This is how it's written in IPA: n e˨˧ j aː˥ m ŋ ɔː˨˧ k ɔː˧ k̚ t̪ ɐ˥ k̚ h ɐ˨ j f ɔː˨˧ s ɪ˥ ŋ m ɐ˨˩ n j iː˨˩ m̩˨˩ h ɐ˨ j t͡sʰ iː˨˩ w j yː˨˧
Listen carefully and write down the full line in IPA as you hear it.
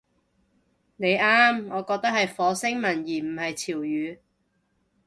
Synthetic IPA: n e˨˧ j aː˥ m ŋ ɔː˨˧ k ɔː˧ k̚ t̪ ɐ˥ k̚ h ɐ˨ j f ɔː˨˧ s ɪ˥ ŋ m ɐ˨˩ n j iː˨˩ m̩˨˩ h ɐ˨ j t͡sʰ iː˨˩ w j yː˨˧